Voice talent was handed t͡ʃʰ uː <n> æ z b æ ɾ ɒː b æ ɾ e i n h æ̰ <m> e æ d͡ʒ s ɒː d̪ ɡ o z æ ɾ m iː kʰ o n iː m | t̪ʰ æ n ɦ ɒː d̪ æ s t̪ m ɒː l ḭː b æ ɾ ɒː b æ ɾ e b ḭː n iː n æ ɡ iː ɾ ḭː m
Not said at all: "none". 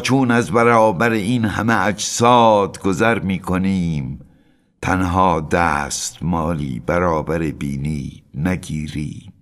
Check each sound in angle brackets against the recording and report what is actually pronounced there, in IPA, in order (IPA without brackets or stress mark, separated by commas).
n, m